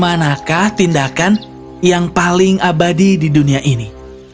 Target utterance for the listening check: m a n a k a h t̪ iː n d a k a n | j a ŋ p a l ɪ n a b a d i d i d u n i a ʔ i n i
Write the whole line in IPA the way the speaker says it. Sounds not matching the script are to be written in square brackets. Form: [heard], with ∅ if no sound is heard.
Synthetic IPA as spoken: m a n a k a h t̪ [i] n d a k a n | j a ŋ p a l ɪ [ŋ] a b a d i d i d u n i a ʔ i n i

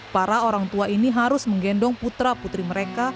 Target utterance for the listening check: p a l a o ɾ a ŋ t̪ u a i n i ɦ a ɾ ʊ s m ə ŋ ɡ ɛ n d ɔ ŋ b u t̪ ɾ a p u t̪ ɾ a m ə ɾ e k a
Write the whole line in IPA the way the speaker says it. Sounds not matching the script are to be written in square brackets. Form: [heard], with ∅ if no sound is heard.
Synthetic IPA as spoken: p a [ɾ] a o ɾ a ŋ t̪ u a i n i ɦ a ɾ ʊ s m ə ŋ ɡ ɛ n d ɔ ŋ [p] u t̪ ɾ a p u t̪ ɾ [i] m ə ɾ e k a

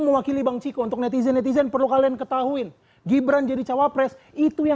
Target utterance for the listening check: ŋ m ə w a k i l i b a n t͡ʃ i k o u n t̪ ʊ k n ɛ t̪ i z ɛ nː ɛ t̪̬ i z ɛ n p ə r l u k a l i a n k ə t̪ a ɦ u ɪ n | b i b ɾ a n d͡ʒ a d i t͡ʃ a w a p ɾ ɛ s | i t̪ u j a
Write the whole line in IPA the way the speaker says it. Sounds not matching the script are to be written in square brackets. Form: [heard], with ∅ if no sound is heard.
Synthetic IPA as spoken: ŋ m ə w a k i l i b a [ŋ] t͡ʃ i k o u n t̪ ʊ k n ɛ t̪ i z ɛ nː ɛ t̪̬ i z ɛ n p ə r l u k a l i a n k ə t̪ a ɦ u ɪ n | [ɡ] i b ɾ a n d͡ʒ a d i t͡ʃ a w a p ɾ ɛ s | i t̪ u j a

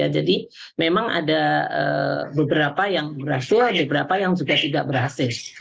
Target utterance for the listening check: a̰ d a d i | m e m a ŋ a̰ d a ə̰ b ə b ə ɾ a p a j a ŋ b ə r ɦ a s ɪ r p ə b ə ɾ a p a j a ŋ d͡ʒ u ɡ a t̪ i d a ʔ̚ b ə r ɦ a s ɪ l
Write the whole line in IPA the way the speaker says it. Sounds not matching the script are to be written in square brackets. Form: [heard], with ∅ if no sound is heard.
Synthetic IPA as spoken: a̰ [d͡ʒ] a d i | m e m a ŋ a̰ d a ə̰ b ə b ə ɾ a p a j a ŋ b ə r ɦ a s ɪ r [b] ə b ə ɾ a p a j a ŋ d͡ʒ u ɡ a t̪ i d a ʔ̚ b ə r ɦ a s ɪ l

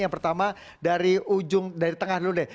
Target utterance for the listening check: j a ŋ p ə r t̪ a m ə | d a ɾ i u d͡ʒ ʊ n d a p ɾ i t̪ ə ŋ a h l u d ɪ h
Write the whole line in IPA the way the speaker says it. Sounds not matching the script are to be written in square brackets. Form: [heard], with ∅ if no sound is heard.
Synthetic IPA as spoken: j a ŋ p ə r t̪ a m [a] | d a ɾ i u d͡ʒ ʊ [ŋ] d a [∅] ɾ i t̪ ə ŋ a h l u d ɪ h

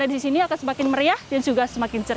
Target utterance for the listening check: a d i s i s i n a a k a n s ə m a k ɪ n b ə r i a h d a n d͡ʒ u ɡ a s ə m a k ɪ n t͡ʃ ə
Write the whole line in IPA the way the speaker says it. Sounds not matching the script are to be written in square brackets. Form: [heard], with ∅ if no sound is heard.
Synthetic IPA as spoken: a d i s i s i n [i] a k a n s ə m a k ɪ n [m] ə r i a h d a n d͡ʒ u ɡ a s ə m a k ɪ n t͡ʃ ə

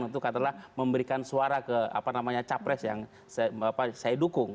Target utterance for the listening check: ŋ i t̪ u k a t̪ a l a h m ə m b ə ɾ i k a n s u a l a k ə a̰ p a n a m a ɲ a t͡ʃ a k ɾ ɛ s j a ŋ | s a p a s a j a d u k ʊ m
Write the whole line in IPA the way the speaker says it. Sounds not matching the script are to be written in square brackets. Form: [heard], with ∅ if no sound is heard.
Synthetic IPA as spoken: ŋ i t̪ u k a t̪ a l a h m ə m b ə ɾ i k a n s u a [ɾ] a k ə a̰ p a n a m a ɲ a t͡ʃ a [p] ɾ ɛ s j a ŋ | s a p a s a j a d u k ʊ [ŋ]

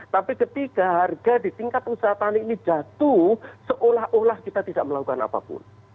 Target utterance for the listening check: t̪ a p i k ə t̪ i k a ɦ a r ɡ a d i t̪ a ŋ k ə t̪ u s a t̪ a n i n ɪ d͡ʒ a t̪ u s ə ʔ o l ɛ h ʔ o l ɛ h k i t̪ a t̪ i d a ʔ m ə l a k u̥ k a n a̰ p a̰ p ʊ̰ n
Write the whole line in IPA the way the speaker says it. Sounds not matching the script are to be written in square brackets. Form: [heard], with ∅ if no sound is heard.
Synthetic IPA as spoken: t̪ a p i k ə t̪ i k a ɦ a r ɡ a d i t̪ [i] ŋ k [a] t̪ u s a t̪ a n i n [i] d͡ʒ a t̪ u s ə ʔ o l [a] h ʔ o l [a] h k i t̪ a t̪ i d a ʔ m ə l a k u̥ k a n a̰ p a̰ p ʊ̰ n

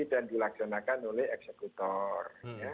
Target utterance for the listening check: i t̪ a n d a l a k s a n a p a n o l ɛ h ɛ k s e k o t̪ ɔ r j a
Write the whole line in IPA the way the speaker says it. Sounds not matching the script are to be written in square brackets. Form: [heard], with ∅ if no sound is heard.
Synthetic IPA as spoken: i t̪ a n d [i] l a k s a n a [k] a n o l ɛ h ɛ k s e k [u] t̪ ɔ r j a

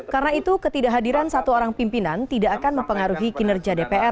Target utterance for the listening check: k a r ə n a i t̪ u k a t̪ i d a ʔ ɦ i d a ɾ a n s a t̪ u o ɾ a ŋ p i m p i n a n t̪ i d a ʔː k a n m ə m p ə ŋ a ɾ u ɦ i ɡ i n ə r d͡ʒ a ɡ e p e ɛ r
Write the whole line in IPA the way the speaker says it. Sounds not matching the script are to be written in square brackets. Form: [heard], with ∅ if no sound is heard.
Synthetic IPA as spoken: k a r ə n a i t̪ u k [ə] t̪ i d a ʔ ɦ [a] d [i] ɾ a n s a t̪ u o ɾ a ŋ p i m p i n a n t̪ i d a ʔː k a n m ə m p ə ŋ a ɾ u ɦ i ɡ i n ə r d͡ʒ a [d] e p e ɛ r

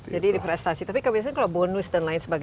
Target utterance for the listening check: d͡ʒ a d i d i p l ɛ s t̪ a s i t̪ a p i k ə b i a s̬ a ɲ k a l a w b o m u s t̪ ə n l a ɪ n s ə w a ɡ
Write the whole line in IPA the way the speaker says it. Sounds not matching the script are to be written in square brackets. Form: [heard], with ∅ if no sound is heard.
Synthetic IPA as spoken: d͡ʒ a d i d i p [ɾ] ɛ s t̪ a s i t̪ a p i k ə b i a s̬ a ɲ k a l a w b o [n] u s t̪ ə n l a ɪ n s ə [b] a ɡ

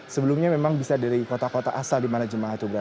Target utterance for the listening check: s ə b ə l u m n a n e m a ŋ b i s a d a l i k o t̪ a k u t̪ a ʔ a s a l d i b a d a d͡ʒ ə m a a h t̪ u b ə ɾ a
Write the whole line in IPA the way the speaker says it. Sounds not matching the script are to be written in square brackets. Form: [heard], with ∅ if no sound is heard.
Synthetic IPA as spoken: s ə b ə l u m [ɲ] a [m] e m a ŋ b i s a d a [ɾ] i k o t̪ a k [o] t̪ a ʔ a s a l d i [m] a [n] a d͡ʒ ə m a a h t̪ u b ə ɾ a

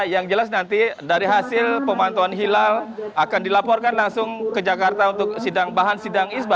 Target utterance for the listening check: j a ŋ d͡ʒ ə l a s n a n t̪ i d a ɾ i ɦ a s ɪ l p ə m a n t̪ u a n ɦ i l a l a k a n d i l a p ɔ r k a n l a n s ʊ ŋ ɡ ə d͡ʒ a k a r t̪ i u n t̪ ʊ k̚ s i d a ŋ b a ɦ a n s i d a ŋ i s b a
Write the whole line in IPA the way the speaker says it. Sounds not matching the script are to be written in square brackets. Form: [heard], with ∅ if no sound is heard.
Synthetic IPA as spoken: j a ŋ d͡ʒ ə l a s n a n t̪ i d a ɾ i ɦ a s ɪ l p ə m a n t̪ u a n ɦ i l a l a k a n d i l a p ɔ r k a n l a [ŋ] s ʊ ŋ [k] ə d͡ʒ a k a r t̪ [a] u n t̪ ʊ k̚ s i d a ŋ b a ɦ a n s i d a ŋ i s b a

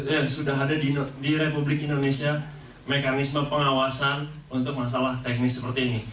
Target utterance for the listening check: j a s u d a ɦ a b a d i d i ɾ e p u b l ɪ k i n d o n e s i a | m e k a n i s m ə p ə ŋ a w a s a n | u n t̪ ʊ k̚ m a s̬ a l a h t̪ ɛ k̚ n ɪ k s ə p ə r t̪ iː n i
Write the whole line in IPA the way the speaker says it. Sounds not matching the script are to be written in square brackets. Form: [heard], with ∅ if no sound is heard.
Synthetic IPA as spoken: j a s u d a ɦ a [d] a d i d i ɾ e p u b l ɪ k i n d o n e s i a | m e k a n i s m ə p ə ŋ a w a s a n | u n t̪ ʊ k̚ m a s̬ a l a h t̪ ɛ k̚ n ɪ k s ə p ə r t̪ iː n i

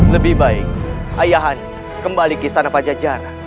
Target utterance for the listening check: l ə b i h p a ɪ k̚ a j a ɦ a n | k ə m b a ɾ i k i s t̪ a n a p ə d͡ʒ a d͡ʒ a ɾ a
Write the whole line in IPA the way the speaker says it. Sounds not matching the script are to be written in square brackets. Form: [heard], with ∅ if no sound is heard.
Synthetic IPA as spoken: l ə b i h [b] a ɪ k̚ a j a ɦ a n | k ə m b a [l] i k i s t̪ a n a p [a] d͡ʒ a d͡ʒ a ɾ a

